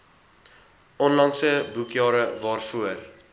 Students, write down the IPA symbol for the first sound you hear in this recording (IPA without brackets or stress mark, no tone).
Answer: ɔ